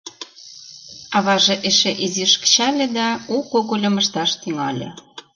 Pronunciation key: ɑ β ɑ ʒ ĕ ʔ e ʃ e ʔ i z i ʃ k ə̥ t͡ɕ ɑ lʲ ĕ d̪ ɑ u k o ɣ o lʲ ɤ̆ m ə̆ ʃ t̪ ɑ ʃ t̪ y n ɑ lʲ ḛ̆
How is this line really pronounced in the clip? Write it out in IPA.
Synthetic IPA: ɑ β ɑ ʒ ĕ ʔ e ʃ e ʔ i z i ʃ k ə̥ t͡ɕ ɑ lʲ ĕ d̪ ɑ u k o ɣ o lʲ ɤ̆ m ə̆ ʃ t̪ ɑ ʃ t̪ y ŋ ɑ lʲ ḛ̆